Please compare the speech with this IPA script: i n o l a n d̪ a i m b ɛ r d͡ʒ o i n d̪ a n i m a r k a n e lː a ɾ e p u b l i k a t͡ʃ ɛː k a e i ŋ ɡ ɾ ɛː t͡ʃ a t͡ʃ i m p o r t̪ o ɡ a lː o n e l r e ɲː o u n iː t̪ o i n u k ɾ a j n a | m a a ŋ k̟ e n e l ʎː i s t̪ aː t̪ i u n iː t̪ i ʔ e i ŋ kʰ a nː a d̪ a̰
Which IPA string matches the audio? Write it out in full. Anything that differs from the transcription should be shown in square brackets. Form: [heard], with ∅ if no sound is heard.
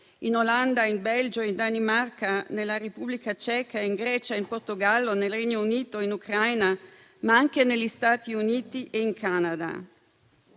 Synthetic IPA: i n o l a n d̪ a i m b ɛ [l] d͡ʒ o i n d̪ a n i m a r k a n e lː a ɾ e p u b l i k a t͡ʃ ɛː k a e i ŋ ɡ ɾ ɛː t͡ʃ a [∅] i m p o r t̪ o ɡ a lː o n e l r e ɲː o u n iː t̪ o i n u k ɾ a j n a | m a a ŋ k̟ e n e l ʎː i s t̪ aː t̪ i u n iː t̪ i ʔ e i ŋ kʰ a [n] a d̪ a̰